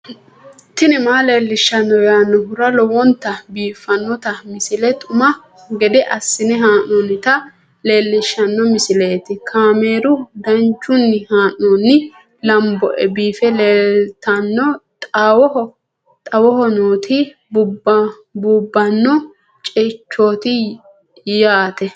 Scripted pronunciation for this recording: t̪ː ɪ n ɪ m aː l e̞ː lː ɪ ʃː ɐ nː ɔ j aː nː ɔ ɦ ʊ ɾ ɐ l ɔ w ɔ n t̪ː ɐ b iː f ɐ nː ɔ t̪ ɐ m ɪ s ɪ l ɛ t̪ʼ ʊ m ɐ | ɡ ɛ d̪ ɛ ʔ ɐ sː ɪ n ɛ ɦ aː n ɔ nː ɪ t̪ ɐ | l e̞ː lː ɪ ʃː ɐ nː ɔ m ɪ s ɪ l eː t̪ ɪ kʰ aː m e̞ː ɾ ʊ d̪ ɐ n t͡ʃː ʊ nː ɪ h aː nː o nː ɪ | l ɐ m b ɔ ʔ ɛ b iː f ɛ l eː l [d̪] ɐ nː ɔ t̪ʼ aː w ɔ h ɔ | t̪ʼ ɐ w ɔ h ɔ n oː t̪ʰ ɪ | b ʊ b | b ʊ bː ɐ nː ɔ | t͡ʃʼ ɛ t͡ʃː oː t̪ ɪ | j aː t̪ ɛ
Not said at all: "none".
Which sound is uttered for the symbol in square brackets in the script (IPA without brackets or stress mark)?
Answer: t̪